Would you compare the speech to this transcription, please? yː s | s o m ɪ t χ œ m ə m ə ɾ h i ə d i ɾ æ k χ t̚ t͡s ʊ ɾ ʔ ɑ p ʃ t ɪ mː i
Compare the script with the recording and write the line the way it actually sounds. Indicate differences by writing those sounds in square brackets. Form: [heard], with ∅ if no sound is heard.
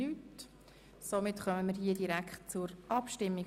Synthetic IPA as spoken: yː [t] | s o m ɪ t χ œ m ə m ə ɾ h i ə d i ɾ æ k χ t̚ t͡s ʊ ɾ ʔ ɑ p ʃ t ɪ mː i